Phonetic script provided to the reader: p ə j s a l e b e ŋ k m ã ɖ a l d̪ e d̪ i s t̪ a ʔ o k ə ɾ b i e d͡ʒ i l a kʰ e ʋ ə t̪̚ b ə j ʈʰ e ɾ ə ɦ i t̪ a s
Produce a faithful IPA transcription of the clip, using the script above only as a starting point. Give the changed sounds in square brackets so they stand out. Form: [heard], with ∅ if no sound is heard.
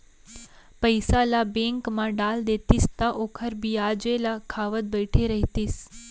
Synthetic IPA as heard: p ə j s a l [a] b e ŋ k m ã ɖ a l d̪ e [t̪] i s t̪ a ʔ o [kʰ] ə ɾ b i [a] d͡ʒ [e] l a kʰ [a] ʋ ə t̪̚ b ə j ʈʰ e ɾ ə ɦ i t̪ [i] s